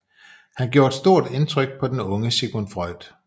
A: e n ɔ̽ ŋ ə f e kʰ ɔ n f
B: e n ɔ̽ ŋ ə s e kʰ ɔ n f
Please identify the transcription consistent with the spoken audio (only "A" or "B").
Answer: B